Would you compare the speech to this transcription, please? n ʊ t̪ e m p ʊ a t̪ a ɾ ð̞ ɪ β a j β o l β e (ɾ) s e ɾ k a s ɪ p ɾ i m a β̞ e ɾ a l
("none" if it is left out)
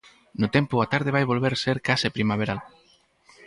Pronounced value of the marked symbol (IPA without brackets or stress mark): ɾ